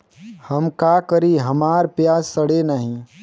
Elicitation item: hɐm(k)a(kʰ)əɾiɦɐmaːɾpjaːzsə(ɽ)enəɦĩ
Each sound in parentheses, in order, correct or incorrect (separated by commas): correct, incorrect, correct